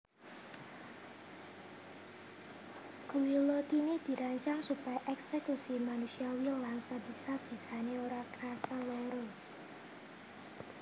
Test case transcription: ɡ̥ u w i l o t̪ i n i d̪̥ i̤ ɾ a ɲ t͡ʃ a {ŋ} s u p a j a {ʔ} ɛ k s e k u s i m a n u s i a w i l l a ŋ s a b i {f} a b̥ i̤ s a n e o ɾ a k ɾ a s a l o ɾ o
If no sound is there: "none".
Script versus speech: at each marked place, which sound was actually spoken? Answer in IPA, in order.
ŋ, ʔ, s

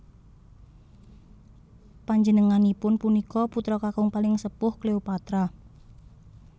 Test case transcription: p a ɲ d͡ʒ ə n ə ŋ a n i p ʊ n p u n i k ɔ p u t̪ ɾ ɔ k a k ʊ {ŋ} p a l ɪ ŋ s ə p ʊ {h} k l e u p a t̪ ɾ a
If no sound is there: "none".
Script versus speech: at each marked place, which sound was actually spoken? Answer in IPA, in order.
ŋ, h

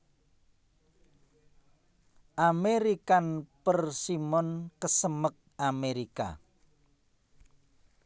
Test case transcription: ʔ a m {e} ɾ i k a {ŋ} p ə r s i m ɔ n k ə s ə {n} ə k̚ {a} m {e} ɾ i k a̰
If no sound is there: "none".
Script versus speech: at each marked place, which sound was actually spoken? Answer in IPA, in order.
e, n, m, a, e

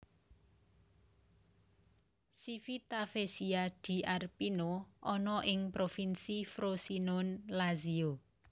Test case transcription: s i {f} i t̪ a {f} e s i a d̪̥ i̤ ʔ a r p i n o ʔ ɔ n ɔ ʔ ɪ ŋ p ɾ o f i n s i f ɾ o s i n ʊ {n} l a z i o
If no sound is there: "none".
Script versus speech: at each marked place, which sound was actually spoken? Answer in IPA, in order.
f, f, n

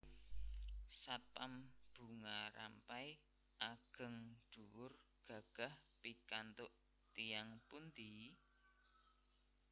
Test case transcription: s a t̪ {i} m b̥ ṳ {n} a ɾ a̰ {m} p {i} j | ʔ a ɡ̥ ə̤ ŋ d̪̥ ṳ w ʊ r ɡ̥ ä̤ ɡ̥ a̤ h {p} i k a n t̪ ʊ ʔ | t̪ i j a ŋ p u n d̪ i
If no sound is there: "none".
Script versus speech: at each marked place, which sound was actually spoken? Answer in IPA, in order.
a, ŋ, m, a, p

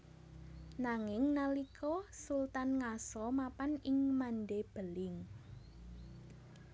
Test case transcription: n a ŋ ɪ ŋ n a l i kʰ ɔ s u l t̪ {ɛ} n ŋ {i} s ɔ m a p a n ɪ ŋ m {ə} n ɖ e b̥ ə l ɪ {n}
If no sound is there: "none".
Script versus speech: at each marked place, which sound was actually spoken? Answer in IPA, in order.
a, a, a, ŋ

